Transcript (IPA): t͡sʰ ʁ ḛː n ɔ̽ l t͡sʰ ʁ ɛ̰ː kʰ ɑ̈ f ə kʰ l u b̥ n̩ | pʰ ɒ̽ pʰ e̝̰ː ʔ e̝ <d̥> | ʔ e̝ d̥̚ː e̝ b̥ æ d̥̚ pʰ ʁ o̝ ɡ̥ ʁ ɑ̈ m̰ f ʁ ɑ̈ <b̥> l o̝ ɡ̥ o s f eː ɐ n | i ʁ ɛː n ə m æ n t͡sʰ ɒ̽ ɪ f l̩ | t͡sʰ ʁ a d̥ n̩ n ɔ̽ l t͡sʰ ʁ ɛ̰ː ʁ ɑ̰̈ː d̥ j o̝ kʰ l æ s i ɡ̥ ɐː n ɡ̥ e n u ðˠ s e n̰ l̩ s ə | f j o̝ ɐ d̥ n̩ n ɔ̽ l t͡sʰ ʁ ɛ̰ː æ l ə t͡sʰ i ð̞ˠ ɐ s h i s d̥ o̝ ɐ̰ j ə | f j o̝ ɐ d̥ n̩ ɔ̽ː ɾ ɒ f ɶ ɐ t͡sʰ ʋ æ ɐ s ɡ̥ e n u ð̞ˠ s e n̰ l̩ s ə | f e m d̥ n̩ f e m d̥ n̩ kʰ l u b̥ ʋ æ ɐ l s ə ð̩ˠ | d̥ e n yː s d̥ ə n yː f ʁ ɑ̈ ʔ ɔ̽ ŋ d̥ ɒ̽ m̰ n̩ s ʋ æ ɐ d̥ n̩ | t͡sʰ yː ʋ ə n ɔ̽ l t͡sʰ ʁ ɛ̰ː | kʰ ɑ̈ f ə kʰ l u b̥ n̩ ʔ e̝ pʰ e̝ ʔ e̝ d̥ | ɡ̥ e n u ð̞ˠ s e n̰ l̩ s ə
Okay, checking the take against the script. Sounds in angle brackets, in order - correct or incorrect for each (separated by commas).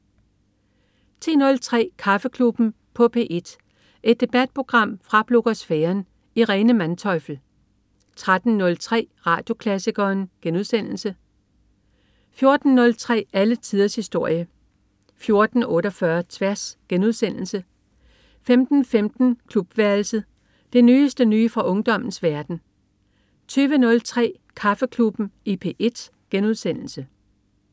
correct, correct